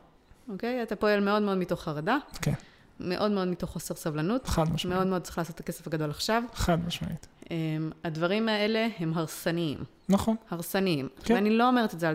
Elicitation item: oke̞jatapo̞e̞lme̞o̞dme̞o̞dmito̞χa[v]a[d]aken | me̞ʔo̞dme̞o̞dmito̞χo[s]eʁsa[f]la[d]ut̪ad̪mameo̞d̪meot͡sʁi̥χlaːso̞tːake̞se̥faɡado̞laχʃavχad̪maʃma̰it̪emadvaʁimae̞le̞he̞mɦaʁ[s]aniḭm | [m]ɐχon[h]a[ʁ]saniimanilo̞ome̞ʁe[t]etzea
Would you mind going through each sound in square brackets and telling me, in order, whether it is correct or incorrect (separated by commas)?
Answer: incorrect, correct, correct, incorrect, incorrect, correct, incorrect, correct, correct, correct